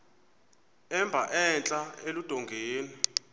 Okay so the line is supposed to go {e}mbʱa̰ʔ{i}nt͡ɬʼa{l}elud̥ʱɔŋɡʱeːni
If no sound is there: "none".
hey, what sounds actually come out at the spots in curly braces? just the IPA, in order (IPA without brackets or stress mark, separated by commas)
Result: ɛ, ɛ, none